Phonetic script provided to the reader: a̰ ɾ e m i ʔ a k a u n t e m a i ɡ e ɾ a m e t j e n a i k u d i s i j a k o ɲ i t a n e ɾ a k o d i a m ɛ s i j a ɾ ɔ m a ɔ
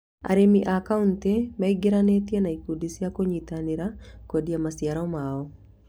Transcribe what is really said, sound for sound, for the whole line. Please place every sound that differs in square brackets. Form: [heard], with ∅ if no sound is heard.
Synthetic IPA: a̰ ɾ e m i ʔ a k a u n t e m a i ɡ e ɾ a [n] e t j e n a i k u d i s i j a k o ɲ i t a n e ɾ a k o d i a m [a] s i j a ɾ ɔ m a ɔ